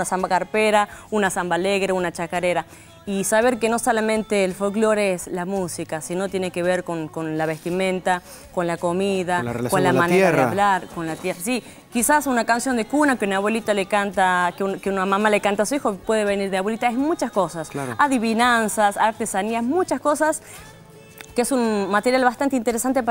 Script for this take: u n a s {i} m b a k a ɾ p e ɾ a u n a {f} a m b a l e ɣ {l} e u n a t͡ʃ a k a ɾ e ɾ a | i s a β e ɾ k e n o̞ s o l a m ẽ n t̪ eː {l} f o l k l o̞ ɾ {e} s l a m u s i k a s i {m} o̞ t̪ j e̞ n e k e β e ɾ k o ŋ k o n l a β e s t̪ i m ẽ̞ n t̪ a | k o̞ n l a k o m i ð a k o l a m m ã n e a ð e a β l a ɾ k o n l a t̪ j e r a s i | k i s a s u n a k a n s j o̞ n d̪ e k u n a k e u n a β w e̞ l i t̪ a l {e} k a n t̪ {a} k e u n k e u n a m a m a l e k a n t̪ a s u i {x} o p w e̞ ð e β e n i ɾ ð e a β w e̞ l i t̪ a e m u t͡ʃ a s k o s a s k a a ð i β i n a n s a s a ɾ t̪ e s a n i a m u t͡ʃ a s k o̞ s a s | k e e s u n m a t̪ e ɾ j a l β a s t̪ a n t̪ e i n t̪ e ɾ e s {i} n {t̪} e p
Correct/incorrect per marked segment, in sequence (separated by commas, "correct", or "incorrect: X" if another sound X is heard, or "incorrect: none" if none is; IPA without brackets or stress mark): incorrect: a, incorrect: s, incorrect: ɾ, correct, correct, incorrect: n, correct, correct, correct, incorrect: a, correct